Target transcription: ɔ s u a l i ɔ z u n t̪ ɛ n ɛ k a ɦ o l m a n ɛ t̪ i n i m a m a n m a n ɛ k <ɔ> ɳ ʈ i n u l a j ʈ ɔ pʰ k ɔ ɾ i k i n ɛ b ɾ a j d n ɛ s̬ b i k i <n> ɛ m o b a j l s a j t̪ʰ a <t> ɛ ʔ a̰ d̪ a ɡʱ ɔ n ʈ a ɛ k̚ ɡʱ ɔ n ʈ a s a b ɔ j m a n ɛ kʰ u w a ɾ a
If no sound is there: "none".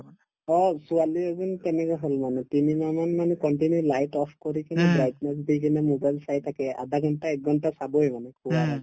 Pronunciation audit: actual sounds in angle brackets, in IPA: ɔ, n, k

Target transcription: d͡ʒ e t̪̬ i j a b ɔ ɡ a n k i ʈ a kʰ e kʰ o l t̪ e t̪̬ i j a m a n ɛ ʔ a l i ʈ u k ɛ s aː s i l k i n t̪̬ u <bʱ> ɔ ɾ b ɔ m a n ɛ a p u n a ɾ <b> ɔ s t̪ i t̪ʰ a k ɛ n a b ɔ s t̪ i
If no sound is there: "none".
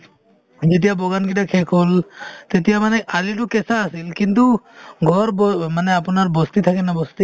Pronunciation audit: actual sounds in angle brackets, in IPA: ɡʱ, b

